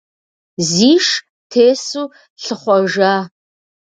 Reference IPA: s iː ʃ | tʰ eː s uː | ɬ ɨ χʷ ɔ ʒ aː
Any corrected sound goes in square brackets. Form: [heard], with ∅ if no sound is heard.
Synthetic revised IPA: [z] iː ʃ | tʰ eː s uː | ɬ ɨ χʷ ɔ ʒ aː